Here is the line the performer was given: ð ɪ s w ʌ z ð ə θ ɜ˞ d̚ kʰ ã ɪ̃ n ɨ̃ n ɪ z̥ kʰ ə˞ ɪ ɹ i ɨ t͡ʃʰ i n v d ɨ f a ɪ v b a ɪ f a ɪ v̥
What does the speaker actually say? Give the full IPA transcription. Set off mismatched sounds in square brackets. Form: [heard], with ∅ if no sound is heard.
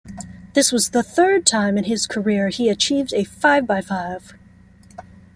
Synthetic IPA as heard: ð ɪ s w ʌ z ð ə θ ɜ˞ d̚ [tʰ] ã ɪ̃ [m] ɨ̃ n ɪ z̥ kʰ ə˞ ɪ ɹ i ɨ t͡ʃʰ i [∅] v d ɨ f a ɪ v b a ɪ f a ɪ v̥